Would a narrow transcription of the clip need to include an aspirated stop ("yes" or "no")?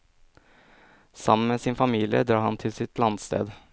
yes